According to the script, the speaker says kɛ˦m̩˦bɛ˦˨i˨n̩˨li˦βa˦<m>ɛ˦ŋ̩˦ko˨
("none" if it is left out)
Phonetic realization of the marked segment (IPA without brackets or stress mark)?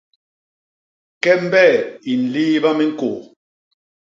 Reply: m